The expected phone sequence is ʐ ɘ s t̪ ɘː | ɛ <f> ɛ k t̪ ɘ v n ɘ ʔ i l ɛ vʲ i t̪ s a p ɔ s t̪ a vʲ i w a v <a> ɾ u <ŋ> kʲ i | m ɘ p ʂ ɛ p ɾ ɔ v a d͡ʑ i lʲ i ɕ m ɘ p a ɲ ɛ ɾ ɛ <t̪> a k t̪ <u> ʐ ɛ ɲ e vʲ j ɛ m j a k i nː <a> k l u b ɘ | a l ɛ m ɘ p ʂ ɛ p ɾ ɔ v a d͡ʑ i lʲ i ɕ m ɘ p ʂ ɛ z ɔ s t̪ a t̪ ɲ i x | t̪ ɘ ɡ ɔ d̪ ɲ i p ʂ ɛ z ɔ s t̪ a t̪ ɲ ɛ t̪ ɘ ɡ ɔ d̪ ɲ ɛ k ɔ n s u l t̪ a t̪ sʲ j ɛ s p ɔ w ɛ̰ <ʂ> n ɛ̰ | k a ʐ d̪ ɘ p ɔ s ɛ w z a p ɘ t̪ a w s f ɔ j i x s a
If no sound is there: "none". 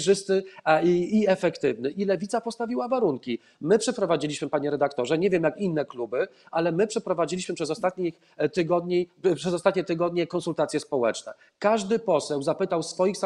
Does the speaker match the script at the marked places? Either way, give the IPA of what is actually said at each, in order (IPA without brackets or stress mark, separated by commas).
f, a, ŋ, d̪, ɔ, ɛ, t͡ʂ